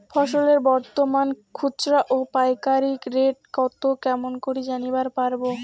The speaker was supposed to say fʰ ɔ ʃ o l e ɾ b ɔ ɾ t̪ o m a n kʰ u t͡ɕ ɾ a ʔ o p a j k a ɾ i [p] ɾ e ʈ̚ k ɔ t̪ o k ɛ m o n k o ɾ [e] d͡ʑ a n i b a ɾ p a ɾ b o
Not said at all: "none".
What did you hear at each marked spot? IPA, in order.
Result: k, i

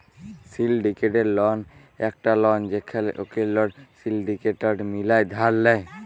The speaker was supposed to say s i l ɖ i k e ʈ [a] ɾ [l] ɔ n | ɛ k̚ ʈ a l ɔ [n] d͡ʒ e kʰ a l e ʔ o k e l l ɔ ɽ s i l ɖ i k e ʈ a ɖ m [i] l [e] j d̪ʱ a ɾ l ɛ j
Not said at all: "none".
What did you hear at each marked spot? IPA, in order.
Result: e, l, n, i, a

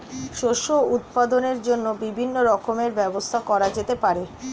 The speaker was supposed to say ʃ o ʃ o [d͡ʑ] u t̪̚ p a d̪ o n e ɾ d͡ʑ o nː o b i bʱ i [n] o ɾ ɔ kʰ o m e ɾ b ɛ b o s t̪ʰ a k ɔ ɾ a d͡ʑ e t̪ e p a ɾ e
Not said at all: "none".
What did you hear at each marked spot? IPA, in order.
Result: none, nː

